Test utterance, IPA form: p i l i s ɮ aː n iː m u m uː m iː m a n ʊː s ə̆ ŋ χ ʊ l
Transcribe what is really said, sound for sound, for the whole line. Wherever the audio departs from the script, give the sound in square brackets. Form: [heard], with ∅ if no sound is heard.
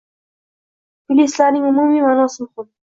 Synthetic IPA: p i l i s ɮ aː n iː [ŋ] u m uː m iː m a n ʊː s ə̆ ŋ χ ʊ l